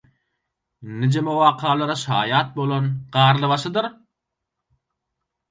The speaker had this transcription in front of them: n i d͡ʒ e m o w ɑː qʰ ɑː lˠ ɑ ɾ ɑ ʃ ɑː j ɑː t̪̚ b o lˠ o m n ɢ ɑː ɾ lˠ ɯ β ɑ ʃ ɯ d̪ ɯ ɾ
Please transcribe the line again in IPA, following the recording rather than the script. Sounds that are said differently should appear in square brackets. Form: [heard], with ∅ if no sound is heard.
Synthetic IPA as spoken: n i d͡ʒ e m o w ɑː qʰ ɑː lˠ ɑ ɾ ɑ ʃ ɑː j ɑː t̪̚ b o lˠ o [∅] n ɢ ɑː ɾ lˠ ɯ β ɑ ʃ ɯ d̪ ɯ ɾ